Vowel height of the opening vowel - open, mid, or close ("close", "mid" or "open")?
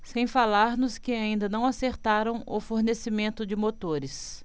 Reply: mid